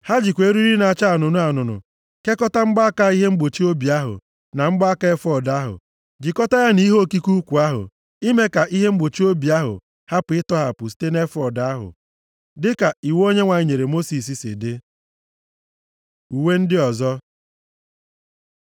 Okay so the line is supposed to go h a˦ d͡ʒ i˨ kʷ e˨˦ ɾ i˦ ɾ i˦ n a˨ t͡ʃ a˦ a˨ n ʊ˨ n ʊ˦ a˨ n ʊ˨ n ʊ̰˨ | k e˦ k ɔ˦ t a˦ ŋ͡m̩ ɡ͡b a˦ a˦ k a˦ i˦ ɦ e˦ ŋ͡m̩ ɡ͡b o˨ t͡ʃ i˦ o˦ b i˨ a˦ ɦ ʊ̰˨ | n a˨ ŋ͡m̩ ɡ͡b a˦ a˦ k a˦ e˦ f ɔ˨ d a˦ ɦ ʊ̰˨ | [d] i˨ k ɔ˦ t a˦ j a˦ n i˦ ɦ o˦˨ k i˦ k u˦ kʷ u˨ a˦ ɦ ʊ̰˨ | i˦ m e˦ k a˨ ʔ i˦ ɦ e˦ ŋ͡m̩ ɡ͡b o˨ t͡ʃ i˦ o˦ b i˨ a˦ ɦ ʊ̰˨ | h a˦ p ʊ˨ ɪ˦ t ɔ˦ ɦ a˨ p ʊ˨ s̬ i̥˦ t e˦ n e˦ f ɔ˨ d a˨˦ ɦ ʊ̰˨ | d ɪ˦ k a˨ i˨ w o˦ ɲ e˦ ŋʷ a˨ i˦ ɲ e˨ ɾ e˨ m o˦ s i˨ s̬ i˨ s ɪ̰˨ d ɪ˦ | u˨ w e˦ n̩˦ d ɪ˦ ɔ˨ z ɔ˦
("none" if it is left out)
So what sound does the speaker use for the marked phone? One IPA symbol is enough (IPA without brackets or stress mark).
d͡ʒ